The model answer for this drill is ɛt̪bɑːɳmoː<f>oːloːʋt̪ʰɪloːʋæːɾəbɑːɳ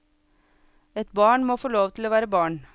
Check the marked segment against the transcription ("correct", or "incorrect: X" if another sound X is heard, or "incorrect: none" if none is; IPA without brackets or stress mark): correct